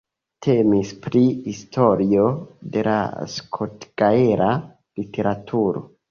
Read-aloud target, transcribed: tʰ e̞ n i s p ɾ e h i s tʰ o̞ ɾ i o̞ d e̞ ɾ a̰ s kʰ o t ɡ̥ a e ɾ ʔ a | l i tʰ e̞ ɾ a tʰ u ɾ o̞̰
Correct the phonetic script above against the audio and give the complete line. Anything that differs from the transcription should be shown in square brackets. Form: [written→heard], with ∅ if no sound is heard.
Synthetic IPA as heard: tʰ e̞ [n→m] i s p ɾ [e→i] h i s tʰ o̞ ɾ i o̞ d e̞ [ɾ→l] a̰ s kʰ o t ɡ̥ a e ɾ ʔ a | l i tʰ e̞ ɾ a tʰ u ɾ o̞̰